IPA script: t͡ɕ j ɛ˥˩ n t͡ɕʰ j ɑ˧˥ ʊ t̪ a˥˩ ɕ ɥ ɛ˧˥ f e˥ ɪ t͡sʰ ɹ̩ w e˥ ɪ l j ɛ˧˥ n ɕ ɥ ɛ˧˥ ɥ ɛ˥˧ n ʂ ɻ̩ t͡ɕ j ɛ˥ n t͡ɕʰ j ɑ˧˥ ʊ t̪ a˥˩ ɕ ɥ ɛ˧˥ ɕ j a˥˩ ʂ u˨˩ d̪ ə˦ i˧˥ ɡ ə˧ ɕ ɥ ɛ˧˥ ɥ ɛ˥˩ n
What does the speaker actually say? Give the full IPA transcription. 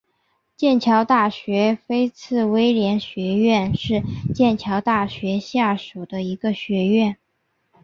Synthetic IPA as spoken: t͡ɕ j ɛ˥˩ n t͡ɕʰ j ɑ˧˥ ʊ t̪ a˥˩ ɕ ɥ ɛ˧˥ f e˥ ɪ t͡sʰ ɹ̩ w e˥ ɪ l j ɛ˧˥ n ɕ ɥ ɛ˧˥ ɥ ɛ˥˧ n ʂ ɻ̩ t͡ɕ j ɛ˥˩ n t͡ɕʰ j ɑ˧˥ ʊ t̪ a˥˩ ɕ ɥ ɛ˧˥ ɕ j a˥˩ ʂ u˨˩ d̪ ə˦ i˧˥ ɡ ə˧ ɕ ɥ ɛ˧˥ ɥ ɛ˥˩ n

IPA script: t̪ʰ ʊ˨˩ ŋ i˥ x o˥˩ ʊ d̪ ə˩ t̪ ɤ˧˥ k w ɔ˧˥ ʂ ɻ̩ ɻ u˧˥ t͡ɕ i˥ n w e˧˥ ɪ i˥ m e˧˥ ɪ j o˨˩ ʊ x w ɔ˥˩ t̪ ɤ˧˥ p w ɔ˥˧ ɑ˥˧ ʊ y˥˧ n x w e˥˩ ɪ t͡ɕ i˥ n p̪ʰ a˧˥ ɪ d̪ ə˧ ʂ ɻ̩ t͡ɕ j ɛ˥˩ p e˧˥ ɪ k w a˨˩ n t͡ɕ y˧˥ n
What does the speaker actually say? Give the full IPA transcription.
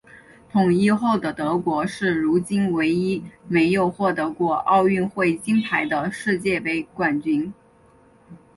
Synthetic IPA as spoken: t̪ʰ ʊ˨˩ ŋ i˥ x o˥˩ ʊ d̪ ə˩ t̪ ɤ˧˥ k w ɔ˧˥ ʂ ɻ̩ ɻ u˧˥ t͡ɕ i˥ n w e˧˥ ɪ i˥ m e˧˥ ɪ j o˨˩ ʊ x w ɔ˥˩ t̪ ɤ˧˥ k w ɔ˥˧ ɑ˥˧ ʊ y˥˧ n x w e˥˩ ɪ t͡ɕ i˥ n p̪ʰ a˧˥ ɪ d̪ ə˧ ʂ ɻ̩ t͡ɕ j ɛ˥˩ p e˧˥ ɪ k w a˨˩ n t͡ɕ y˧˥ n

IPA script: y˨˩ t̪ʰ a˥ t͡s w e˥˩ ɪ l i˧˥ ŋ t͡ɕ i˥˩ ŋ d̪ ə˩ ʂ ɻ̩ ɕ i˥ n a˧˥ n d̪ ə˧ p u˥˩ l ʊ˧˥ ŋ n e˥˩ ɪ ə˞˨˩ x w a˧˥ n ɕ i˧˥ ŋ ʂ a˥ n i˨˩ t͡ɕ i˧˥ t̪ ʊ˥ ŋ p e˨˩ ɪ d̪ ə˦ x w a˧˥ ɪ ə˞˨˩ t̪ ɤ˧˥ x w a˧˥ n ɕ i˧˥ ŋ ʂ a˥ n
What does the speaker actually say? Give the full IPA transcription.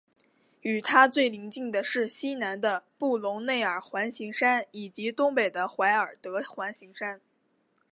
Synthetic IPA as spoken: y˨˩ t̪ʰ a˥ t͡s w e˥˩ ɪ l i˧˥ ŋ t͡ɕ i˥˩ ŋ d̪ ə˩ ʂ ɻ̩ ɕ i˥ n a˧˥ n d̪ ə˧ p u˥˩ l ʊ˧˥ ŋ n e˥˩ ɪ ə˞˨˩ x w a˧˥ n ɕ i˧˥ ŋ ʂ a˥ n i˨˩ t͡ɕ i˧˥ t̪ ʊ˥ ŋ p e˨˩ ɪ d̪ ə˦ x w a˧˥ ɪ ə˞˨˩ t̪ ɤ˧˥ x w a˧˥ n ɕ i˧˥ ŋ ʂ a˥ n

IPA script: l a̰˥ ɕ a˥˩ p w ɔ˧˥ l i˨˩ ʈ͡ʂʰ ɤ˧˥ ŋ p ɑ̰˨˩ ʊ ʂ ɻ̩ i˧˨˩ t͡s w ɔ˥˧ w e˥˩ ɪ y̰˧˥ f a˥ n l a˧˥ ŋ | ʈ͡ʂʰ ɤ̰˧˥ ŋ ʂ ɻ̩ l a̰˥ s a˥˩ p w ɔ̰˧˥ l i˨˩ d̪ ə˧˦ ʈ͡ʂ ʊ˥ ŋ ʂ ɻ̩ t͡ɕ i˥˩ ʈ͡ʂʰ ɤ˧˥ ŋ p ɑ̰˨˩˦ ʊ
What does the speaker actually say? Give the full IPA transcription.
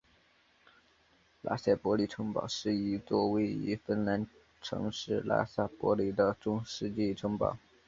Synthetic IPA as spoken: l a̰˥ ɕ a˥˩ p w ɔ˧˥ l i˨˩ ʈ͡ʂʰ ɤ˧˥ ŋ p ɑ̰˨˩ ʊ ʂ ɻ̩ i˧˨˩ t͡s w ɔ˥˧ w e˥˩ ɪ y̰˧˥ f ə˥ n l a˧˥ n | ʈ͡ʂʰ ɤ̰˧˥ ŋ ʂ ɻ̩ l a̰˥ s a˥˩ p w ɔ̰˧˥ l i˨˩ d̪ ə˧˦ ʈ͡ʂ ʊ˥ ŋ ʂ ɻ̩ t͡ɕ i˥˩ ʈ͡ʂʰ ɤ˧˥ ŋ p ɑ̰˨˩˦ ʊ

